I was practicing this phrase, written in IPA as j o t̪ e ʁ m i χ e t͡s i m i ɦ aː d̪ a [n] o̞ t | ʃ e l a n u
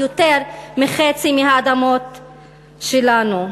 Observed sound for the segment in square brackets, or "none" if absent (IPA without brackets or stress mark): m